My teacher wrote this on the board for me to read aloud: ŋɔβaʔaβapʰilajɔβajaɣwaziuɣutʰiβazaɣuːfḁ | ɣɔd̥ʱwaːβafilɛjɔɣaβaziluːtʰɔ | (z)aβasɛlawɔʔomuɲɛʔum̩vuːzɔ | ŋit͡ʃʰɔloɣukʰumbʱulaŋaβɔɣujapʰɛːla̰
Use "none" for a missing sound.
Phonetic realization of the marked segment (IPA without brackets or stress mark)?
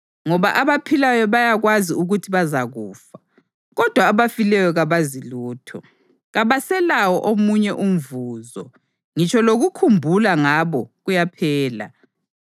ɣ